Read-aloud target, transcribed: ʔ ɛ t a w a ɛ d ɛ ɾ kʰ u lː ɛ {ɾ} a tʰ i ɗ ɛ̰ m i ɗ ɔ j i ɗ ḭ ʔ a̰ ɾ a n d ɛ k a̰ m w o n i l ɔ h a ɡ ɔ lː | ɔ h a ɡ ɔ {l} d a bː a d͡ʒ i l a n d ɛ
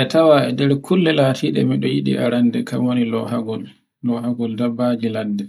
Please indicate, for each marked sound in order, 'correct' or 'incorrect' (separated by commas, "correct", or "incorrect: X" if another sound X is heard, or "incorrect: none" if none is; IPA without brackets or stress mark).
incorrect: l, correct